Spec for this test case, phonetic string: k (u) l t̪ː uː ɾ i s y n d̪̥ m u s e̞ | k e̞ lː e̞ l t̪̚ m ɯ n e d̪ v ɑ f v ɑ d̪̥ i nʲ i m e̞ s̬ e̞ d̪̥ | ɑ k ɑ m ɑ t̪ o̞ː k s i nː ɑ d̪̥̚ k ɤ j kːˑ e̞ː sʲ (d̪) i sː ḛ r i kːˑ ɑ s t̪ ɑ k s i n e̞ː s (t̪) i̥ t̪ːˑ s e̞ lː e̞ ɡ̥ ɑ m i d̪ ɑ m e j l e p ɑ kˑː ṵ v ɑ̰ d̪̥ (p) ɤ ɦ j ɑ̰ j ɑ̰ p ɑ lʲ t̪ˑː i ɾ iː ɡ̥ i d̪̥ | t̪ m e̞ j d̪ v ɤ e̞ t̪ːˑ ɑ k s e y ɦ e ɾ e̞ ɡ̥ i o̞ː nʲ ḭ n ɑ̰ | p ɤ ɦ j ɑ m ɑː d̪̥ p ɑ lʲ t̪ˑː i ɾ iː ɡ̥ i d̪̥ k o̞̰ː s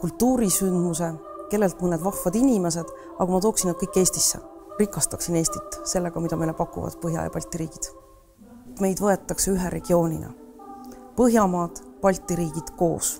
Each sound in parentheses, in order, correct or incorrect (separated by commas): correct, incorrect, correct, correct